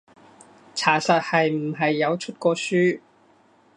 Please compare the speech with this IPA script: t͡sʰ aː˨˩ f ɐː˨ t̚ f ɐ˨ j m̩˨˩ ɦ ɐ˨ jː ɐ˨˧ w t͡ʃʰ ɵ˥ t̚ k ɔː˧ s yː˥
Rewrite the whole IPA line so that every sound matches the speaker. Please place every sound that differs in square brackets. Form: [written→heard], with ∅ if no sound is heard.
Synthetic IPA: t͡sʰ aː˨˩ [f→s] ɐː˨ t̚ [f→h] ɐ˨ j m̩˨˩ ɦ ɐ˨ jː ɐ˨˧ w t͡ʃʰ ɵ˥ t̚ k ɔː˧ s yː˥